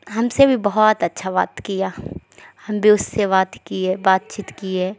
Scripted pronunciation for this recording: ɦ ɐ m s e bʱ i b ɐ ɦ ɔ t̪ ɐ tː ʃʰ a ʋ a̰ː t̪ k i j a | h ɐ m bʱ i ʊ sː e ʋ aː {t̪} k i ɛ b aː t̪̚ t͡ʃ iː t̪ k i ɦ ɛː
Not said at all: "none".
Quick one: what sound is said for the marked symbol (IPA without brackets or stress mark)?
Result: t̪